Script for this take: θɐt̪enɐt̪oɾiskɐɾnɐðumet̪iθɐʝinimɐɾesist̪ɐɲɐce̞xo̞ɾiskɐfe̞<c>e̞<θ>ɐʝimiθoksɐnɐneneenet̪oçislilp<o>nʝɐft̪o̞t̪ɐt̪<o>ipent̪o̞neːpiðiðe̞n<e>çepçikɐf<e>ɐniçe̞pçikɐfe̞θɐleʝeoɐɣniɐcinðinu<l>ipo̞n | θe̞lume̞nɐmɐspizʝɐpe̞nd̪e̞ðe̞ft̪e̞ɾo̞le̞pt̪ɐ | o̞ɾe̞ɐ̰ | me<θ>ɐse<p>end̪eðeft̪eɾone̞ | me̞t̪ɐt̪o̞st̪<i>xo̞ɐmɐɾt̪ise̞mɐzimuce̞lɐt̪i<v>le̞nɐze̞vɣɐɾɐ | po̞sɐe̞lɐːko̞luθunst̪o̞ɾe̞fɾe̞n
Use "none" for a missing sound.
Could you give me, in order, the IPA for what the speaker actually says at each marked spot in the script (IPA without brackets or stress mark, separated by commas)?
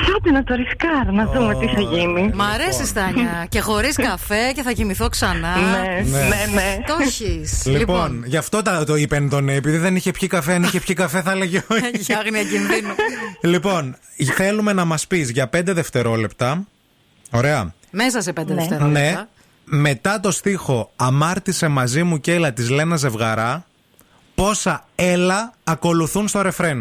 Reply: c, θ, o, o, i, e, l, s, p, i, z